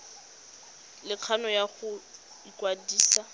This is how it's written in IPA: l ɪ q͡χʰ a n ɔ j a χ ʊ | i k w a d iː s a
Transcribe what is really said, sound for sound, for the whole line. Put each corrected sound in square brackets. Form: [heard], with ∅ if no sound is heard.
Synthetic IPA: l ɪ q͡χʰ a n ɔ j a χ ʊ | i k w a d iː s a